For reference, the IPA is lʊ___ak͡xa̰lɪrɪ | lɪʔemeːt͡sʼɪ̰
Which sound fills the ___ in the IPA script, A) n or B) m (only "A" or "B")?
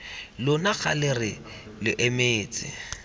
A